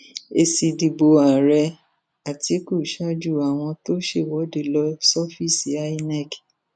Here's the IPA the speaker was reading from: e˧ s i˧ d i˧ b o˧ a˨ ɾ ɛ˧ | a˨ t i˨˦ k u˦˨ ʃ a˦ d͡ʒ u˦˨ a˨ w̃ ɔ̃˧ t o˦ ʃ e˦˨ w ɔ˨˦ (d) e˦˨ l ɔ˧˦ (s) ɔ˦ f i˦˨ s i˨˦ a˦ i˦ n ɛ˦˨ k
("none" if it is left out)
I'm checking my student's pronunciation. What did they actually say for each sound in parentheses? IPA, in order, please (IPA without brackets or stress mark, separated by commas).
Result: d, s